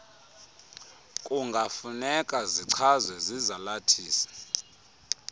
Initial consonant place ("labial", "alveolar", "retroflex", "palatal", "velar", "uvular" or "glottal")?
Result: velar